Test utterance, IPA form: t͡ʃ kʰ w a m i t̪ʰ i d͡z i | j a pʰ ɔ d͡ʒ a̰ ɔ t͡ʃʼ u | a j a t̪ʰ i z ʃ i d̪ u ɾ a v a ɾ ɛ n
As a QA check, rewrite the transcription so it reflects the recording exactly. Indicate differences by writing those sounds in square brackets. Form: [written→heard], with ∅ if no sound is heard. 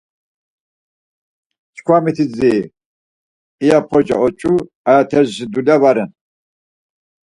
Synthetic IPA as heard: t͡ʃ kʰ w a m i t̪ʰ i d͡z i | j a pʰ ɔ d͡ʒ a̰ ɔ t͡ʃʼ u | a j a t̪ʰ [i→ɛ] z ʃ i d̪ u [ɾ→l] a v a ɾ ɛ n

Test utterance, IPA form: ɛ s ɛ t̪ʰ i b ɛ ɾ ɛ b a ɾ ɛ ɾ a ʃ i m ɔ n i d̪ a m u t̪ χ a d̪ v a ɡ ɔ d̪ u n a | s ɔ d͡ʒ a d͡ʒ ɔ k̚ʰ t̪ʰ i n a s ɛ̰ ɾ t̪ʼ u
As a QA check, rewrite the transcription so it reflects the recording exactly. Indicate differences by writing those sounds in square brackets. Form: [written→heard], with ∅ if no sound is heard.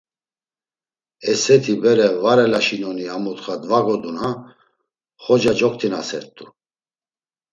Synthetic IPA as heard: ɛ s ɛ t̪ʰ i b ɛ ɾ ɛ [b→v] a ɾ ɛ [ɾ→l] a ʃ i [m→n] ɔ n i [d̪→∅] a m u t̪ χ a d̪ v a ɡ ɔ d̪ u n a | [s→χ] ɔ d͡ʒ a d͡ʒ ɔ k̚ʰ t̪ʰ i n a s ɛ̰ ɾ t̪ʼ u

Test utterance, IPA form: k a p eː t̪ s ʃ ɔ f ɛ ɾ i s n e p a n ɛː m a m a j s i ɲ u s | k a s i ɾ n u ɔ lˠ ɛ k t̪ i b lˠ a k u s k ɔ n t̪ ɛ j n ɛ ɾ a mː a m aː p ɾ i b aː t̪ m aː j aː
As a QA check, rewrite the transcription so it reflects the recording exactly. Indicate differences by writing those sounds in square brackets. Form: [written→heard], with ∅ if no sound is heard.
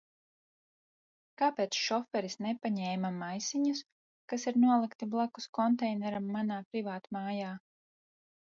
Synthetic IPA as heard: k a p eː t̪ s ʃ ɔ f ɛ ɾ i s n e p a [n→ɲ] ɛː m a m a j s i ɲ u s | k a s i ɾ n u ɔ lˠ [ɛ→i] k t̪ i b lˠ a k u s k ɔ n t̪ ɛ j n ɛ ɾ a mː a [m→n] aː p ɾ i [b→v] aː t̪ m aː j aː

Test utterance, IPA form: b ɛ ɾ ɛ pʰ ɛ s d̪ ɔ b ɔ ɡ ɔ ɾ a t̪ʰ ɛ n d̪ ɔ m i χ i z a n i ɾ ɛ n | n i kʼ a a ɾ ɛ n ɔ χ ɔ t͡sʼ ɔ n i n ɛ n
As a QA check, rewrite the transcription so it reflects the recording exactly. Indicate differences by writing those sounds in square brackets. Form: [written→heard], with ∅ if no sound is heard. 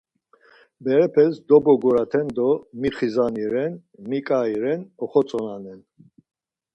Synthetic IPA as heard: b ɛ ɾ ɛ pʰ ɛ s d̪ ɔ b ɔ ɡ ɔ ɾ a t̪ʰ ɛ n d̪ ɔ m i χ i z a n i ɾ ɛ n | [n→m] i kʼ a [a→i] ɾ ɛ n ɔ χ ɔ t͡sʼ ɔ n [i→a] n ɛ n

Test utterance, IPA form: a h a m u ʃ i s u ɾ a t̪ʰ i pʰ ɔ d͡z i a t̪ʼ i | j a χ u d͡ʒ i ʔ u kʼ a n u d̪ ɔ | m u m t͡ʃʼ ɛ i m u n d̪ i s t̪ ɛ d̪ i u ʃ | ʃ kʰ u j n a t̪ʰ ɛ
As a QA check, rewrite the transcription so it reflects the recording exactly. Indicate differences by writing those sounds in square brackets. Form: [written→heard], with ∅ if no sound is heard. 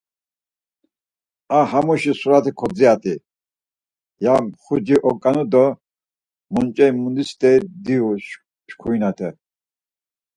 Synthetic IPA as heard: a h a m u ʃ i s u ɾ a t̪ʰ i [pʰ→kʰ] ɔ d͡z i a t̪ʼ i | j a χ u d͡ʒ i ʔ [u→ɔ] kʼ a n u d̪ ɔ | m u [m→n] t͡ʃʼ ɛ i m u n d̪ i s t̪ ɛ d̪ i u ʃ | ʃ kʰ u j n a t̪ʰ ɛ

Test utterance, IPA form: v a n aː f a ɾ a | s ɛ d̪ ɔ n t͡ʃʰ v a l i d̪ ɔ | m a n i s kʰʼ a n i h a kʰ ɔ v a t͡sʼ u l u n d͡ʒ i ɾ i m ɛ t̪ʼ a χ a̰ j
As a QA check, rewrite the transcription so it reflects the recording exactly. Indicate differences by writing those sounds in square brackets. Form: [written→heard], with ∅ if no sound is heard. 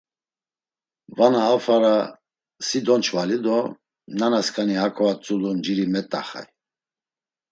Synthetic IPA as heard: v a n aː f a ɾ a | s [ɛ→i] d̪ ɔ n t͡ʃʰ v a l i d̪ ɔ | [m→n] a n [i→a] s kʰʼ a n i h a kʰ ɔ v a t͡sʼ u l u n d͡ʒ i ɾ i m ɛ t̪ʼ a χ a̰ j

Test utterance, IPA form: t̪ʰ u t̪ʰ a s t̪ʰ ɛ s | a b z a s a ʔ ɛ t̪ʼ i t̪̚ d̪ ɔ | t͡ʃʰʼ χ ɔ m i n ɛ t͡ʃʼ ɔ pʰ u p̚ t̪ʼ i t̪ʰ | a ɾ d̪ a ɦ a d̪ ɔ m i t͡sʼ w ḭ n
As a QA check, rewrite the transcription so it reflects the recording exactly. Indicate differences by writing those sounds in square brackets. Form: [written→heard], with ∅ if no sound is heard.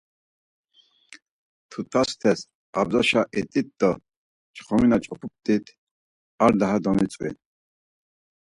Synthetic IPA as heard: t̪ʰ u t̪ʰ a s t̪ʰ ɛ s | a b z a [s→ʃ] a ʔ ɛ t̪ʼ i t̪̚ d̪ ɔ | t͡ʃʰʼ χ ɔ m i n [ɛ→a] t͡ʃʼ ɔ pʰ u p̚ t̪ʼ i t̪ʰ | a ɾ d̪ a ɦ a d̪ ɔ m i t͡sʼ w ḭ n

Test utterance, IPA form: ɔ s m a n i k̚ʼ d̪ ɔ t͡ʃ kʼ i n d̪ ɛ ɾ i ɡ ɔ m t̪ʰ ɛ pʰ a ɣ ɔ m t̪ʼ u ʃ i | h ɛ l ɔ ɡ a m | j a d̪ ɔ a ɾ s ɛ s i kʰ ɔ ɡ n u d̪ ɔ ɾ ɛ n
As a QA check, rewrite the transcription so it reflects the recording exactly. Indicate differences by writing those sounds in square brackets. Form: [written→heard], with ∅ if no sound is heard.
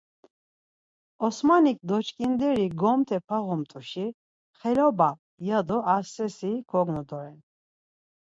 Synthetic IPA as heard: ɔ s m a n i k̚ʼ d̪ ɔ t͡ʃ kʼ i n d̪ ɛ ɾ i ɡ ɔ m t̪ʰ ɛ pʰ a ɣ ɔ m t̪ʼ u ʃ i | [h→χ] ɛ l ɔ [ɡ→b] a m | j a d̪ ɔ a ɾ s ɛ s i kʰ ɔ ɡ n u d̪ ɔ ɾ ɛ n

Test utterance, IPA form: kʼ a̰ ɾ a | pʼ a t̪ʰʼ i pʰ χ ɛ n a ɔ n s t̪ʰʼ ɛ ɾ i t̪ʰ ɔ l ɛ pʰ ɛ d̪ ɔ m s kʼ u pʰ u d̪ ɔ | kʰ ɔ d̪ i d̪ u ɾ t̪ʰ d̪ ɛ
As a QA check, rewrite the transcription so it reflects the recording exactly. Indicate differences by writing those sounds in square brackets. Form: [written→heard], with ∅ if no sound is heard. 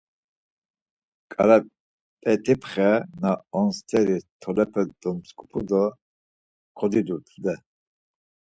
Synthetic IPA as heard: kʼ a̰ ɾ a | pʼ [a→ɛ] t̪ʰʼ i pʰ χ ɛ n a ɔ n s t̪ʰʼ ɛ ɾ i t̪ʰ ɔ l ɛ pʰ ɛ d̪ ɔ m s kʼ u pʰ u d̪ ɔ | kʰ ɔ d̪ i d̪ u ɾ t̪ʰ d̪ ɛ

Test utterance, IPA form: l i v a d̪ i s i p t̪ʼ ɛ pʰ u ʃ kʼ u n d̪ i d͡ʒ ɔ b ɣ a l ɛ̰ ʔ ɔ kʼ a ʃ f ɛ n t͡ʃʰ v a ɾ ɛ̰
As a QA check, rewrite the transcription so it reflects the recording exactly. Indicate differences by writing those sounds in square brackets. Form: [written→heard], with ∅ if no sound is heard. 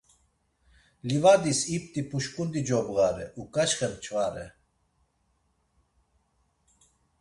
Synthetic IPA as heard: l i v a d̪ i s i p t̪ʼ [ɛ→i] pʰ u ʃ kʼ u n d̪ i d͡ʒ ɔ b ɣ a [l→ɾ] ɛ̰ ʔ [ɔ→u] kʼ a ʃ [f→χ] ɛ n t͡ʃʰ v a ɾ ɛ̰

